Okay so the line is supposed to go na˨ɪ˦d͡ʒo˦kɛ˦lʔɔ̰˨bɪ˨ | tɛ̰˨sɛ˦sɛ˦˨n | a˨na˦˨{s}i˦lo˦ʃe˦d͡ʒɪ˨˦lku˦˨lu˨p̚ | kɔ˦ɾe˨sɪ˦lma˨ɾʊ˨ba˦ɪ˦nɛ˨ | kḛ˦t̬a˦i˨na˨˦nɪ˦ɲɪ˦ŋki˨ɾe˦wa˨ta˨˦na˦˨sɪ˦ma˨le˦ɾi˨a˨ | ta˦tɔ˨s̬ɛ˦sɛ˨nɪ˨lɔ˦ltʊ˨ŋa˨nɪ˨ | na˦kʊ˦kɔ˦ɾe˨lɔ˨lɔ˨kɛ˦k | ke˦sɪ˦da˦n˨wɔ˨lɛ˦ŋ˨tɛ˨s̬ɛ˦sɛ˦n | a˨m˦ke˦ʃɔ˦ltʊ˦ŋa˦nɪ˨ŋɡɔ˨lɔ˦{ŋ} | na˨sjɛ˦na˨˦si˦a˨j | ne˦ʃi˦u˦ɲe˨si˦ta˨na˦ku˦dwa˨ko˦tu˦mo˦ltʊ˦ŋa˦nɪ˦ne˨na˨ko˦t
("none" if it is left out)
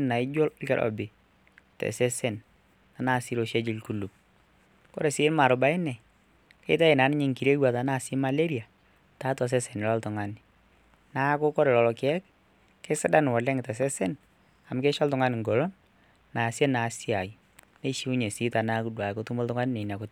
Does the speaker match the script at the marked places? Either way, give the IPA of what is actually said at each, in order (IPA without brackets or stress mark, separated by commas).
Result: s, n